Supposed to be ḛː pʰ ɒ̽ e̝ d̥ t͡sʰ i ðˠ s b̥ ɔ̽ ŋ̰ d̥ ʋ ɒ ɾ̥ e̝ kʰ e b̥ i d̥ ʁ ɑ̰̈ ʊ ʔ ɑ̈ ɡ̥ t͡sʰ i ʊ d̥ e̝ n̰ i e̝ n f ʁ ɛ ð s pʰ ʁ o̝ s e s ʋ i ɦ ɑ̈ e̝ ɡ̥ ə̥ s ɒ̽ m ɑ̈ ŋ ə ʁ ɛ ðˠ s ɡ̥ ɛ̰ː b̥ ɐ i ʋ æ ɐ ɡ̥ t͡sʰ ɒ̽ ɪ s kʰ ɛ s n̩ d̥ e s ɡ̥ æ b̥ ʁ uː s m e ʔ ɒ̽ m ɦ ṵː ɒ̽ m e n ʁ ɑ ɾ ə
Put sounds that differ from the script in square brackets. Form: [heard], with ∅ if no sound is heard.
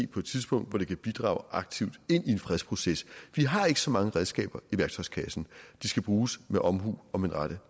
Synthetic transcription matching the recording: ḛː pʰ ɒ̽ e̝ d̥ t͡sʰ i ðˠ s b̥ ɔ̽ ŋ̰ d̥ ʋ ɒ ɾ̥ e̝ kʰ [æ] b̥ i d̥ ʁ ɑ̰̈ ʊ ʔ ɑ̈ ɡ̥ t͡sʰ i ʊ d̥ e̝ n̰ i e̝ n f ʁ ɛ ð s pʰ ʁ o̝ s e s ʋ i ɦ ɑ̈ e̝ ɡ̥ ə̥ s ɒ̽ m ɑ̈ ŋ ə ʁ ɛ ðˠ s ɡ̥ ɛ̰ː b̥ ɐ i ʋ æ ɐ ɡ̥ t͡sʰ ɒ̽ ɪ s kʰ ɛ s n̩ d̥ [i] s ɡ̥ æ b̥ ʁ uː s m e ʔ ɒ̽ m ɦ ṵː ɒ̽ m e n ʁ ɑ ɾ ə